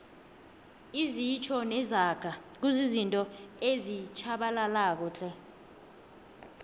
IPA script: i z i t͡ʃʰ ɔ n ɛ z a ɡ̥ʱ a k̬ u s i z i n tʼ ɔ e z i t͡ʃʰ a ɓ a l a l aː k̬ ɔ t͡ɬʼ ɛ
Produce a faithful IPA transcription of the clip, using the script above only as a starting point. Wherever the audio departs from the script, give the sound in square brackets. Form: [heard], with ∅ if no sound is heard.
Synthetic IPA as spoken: i z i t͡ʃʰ ɔ n ɛ z a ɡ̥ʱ a k̬ u [z] i z i n tʼ ɔ e z i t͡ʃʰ a ɓ a l a l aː k̬ ɔ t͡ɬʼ ɛ